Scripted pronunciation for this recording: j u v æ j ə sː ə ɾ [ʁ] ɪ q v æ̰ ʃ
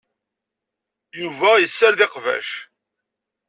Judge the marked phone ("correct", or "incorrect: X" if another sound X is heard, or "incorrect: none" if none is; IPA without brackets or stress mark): incorrect: ð